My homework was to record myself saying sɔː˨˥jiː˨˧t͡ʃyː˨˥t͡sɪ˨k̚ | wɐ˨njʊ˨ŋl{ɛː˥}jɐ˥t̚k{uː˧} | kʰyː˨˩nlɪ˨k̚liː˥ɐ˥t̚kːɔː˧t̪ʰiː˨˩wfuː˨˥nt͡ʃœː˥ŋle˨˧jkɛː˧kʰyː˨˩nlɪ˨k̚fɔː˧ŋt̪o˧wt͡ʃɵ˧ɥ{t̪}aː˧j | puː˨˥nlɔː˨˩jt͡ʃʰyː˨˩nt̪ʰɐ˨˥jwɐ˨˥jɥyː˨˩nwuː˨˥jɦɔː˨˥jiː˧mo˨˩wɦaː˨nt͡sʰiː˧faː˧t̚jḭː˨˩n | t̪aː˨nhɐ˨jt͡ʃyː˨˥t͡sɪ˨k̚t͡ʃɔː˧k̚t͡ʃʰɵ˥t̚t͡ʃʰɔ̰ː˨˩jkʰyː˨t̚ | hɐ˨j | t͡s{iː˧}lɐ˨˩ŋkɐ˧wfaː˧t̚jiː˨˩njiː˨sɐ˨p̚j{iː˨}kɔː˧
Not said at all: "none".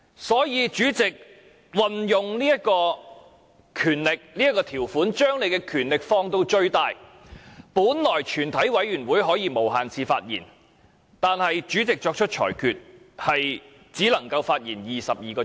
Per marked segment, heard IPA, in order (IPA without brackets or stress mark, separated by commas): iː˥, ɔː˧, t̪, iː˨˥, iː˨